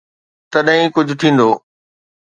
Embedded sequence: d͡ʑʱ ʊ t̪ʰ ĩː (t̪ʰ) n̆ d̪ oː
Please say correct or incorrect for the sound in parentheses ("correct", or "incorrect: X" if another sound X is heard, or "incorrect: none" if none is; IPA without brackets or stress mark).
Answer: incorrect: none